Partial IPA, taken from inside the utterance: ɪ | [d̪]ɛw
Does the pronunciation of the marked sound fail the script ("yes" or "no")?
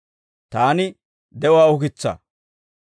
no